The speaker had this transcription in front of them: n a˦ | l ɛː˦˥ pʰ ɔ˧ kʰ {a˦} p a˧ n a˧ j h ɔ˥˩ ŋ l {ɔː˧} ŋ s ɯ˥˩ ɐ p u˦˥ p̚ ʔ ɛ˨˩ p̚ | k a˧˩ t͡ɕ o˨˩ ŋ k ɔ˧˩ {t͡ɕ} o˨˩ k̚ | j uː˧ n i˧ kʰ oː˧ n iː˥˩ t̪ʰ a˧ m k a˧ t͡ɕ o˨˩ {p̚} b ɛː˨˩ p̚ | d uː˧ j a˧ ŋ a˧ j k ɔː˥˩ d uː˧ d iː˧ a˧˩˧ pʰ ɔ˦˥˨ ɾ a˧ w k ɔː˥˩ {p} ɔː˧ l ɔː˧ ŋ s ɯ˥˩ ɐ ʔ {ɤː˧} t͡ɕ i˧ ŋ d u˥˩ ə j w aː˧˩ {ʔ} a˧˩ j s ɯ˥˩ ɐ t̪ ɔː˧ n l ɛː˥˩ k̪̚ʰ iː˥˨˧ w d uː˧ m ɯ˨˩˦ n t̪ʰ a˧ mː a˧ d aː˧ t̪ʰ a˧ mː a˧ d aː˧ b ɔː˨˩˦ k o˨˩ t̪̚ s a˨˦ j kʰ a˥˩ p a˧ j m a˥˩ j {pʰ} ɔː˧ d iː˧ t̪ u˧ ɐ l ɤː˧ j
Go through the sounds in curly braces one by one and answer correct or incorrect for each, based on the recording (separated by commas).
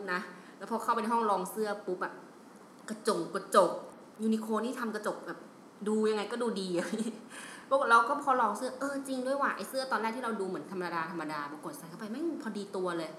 incorrect, correct, correct, incorrect, incorrect, correct, correct, correct